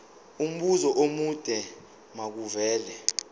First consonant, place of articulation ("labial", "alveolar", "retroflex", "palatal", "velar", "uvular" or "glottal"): labial